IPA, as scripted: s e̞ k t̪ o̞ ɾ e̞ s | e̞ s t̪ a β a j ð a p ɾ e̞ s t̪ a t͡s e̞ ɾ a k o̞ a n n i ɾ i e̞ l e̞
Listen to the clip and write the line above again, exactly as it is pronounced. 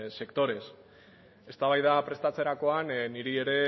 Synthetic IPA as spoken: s e̞ k t̪ o̞ ɾ e̞ s | e̞ s t̪ a β a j ð a p ɾ e̞ s t̪ a t͡s e̞ ɾ a k o̞ a n n i ɾ i e̞ ɾ e̞